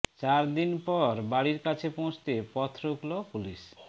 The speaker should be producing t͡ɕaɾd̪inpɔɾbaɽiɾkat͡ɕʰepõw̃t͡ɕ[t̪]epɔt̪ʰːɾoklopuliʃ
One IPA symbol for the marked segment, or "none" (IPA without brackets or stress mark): t̪